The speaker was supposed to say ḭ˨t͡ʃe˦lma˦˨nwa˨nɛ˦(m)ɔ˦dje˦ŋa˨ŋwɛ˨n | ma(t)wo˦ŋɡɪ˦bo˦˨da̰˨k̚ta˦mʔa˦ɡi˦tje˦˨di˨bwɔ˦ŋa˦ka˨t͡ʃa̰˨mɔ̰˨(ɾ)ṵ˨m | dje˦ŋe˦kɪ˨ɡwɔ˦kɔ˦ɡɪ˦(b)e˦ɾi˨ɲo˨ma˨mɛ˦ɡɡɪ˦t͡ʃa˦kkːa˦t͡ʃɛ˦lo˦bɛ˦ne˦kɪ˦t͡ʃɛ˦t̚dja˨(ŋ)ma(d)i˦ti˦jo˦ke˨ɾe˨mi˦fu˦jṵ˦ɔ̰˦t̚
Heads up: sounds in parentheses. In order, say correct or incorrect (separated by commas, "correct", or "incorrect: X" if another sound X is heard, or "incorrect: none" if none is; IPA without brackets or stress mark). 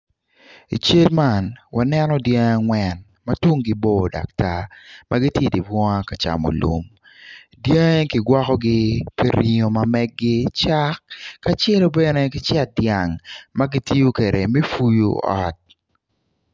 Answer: incorrect: n, correct, incorrect: l, incorrect: p, correct, incorrect: ɡ